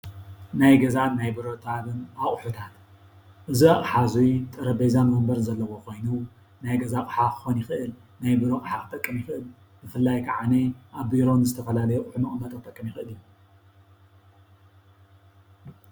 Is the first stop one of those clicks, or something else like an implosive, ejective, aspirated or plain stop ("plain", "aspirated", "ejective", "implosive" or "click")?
plain